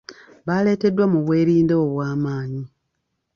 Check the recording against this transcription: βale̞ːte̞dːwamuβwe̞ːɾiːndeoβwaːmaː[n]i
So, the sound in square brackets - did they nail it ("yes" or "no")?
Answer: no